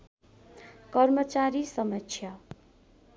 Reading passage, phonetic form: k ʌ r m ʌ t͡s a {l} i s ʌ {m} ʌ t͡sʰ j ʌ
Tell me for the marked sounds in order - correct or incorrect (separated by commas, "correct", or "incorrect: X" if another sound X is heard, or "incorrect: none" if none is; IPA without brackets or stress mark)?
incorrect: ɾ, correct